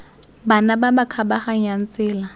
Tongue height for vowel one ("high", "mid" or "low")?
low